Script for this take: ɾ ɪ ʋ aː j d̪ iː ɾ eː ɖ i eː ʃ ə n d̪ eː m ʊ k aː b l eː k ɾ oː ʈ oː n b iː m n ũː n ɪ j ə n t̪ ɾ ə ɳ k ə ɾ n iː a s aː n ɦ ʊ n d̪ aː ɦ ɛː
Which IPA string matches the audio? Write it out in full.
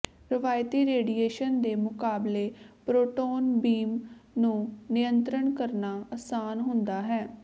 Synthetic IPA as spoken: ɾ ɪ ʋ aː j t̪ iː ɾ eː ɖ i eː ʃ ə n d̪ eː m ʊ k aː b l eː p ɾ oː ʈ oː n b iː m n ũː n ɪ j ə n t̪ ɾ ə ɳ k ə ɾ n aː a s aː n ɦ ʊ n d̪ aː ɦ ɛː